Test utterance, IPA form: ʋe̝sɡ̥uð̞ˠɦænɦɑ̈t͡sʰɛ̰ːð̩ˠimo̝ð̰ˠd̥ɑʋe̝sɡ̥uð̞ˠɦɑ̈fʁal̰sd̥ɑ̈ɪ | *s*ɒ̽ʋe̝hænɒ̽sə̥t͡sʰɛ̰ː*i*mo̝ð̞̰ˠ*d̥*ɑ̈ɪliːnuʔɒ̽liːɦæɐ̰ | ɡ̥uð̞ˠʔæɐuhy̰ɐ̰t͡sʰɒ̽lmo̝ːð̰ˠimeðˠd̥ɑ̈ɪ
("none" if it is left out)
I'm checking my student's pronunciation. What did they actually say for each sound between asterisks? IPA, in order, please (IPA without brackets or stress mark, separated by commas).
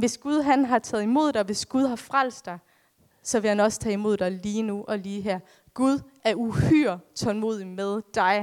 s, i, d̥